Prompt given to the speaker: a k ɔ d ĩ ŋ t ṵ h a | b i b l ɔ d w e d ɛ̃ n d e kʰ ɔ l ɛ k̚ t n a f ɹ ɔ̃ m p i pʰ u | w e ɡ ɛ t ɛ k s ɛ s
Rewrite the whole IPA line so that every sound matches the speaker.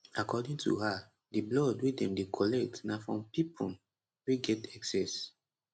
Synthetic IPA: a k ɔ d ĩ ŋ t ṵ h a | d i b l ɔ d w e d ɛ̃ m d e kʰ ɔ l ɛ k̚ t n a f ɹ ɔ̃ m p i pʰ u | w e ɡ ɛ t ɛ k s ɛ s